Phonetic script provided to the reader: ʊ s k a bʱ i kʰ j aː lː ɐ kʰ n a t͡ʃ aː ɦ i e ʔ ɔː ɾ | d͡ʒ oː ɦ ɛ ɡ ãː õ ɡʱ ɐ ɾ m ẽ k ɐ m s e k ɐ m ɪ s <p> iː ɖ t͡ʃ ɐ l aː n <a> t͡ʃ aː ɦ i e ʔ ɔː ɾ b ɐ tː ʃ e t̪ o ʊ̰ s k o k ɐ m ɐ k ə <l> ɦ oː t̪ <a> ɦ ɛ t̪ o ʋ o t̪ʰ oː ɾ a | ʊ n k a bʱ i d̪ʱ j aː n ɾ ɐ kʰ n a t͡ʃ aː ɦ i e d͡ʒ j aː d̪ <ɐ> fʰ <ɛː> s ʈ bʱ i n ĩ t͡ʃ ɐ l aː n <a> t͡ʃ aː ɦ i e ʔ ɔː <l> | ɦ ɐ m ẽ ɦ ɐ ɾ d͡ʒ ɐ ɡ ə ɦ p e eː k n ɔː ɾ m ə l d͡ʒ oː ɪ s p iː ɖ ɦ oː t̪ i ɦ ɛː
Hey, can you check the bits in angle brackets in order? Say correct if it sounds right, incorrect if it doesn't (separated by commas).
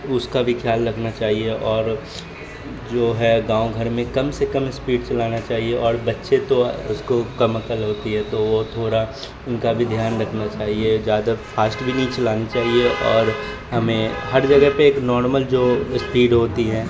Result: correct, correct, correct, incorrect, incorrect, incorrect, incorrect, incorrect